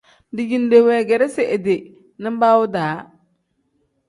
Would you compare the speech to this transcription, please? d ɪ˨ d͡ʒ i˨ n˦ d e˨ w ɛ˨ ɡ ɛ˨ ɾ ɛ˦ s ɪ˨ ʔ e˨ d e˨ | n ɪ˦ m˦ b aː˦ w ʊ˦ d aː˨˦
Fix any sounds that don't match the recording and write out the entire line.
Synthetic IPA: d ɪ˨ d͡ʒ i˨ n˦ d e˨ w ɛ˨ ɡ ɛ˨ ɾ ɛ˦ s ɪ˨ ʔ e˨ d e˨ | n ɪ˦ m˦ b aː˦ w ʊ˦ d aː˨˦